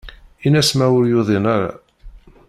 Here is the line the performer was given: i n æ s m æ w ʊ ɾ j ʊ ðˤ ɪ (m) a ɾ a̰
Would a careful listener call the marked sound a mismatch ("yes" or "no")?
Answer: yes